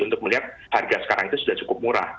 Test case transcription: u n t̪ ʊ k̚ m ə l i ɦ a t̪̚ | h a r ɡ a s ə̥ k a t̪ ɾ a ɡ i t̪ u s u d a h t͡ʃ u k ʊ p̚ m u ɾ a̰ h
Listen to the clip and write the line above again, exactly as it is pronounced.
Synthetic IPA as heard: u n t̪ ʊ k̚ m ə l i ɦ a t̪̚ | h a r ɡ a s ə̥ k a ɾ a ŋ i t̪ u s u d a h t͡ʃ u k ʊ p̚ m u ɾ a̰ h